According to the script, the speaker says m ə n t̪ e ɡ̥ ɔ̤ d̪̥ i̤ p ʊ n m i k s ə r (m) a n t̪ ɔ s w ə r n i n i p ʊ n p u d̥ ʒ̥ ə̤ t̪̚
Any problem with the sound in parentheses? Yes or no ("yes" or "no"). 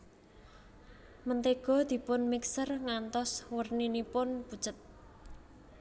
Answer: yes